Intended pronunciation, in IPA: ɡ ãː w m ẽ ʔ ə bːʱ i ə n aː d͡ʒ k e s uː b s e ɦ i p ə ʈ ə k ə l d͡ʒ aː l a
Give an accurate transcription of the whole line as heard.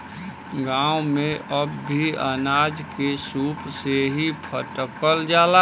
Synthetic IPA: ɡ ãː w m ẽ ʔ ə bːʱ i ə n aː d͡ʒ k e s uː p s e ɦ i pʰ ə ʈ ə k ə l d͡ʒ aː l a